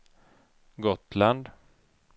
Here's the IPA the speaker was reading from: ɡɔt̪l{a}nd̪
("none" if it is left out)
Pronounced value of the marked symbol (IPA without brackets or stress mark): a